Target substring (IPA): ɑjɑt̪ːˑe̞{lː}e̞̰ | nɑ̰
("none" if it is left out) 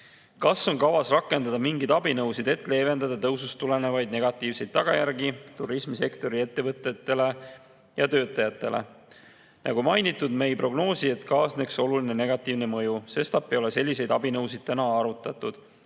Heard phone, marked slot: l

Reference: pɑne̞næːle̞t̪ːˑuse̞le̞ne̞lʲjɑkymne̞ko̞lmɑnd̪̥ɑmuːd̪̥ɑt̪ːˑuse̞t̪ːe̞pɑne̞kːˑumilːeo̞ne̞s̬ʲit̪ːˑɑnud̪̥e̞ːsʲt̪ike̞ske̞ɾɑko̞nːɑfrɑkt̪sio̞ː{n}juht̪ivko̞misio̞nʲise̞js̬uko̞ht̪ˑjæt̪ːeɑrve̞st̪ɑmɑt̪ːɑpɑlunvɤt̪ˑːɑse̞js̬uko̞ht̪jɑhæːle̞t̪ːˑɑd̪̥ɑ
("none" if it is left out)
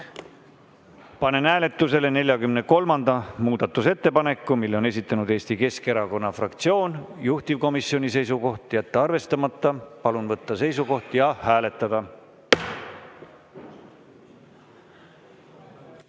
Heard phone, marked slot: n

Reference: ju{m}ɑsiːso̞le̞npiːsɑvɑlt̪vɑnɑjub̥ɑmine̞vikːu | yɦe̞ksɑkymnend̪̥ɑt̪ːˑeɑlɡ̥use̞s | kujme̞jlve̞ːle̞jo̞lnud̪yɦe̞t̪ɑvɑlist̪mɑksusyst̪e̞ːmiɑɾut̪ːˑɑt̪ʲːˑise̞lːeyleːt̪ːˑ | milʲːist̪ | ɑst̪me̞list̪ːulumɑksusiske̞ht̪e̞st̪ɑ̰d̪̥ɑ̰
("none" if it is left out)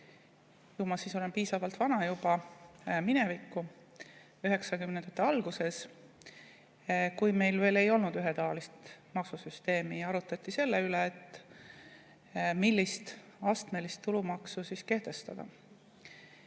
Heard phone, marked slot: m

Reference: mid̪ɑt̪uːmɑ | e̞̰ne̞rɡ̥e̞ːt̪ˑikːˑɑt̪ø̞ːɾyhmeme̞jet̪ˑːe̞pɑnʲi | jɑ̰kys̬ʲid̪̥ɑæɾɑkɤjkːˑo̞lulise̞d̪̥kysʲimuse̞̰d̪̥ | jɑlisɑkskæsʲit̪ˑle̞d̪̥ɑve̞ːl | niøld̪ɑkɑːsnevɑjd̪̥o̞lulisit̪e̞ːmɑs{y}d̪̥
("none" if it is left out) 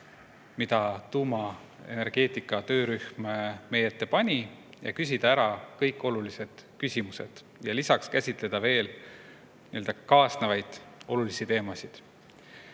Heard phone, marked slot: i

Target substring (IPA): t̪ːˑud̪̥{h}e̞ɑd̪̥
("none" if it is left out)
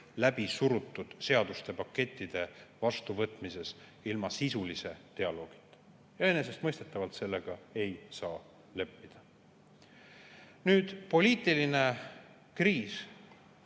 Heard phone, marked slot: s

